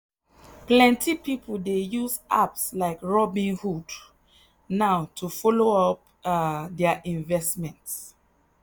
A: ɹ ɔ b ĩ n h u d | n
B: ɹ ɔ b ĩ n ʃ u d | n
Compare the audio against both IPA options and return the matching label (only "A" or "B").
A